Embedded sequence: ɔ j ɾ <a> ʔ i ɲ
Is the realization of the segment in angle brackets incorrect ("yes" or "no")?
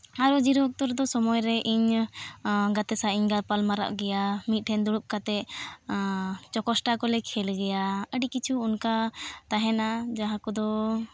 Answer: yes